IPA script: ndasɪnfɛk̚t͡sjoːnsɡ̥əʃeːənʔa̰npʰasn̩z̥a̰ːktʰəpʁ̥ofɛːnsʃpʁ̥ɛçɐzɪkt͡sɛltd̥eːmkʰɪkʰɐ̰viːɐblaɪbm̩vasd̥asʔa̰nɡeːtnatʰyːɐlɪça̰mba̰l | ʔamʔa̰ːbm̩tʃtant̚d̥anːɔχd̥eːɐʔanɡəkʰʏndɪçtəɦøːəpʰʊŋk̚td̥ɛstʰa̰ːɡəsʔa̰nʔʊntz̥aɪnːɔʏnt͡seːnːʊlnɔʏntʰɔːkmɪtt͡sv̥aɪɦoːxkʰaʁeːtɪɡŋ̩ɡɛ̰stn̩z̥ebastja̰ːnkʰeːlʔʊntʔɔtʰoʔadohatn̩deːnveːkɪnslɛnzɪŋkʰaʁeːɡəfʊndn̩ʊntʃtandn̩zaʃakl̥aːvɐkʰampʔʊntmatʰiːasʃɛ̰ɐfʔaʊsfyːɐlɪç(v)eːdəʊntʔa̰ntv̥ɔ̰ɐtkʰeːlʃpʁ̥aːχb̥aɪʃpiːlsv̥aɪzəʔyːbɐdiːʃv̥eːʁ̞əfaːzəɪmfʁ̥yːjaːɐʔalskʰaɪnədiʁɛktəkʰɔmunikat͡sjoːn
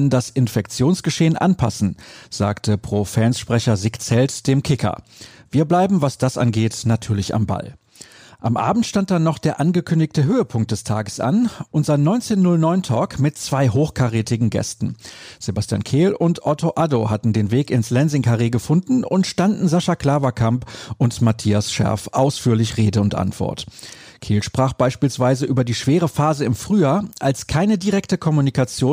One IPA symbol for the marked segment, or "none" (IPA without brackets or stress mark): ʁ